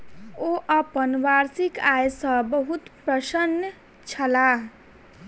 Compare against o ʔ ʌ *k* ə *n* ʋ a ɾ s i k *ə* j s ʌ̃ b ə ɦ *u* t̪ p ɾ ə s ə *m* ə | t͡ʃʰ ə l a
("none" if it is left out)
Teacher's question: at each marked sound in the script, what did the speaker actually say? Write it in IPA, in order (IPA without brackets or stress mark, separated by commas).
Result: p, n, a, u, n